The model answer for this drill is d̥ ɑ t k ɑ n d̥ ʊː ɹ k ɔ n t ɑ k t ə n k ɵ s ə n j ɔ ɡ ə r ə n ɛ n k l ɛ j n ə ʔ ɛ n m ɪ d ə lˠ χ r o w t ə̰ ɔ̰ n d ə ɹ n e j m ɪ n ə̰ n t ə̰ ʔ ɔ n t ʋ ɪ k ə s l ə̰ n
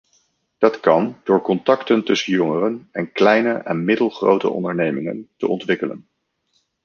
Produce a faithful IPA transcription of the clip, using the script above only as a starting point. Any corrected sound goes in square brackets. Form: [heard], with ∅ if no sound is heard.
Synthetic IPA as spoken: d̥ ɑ t k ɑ n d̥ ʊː ɹ k ɔ n t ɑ k t ə n [t] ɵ s ə n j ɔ [ŋ] ə r ə n ɛ n k l ɛ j n ə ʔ ɛ n m ɪ d ə lˠ χ r o w t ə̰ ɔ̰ n d ə ɹ n e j m ɪ [ŋ] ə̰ n t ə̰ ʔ ɔ n t ʋ ɪ k ə [∅] l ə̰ n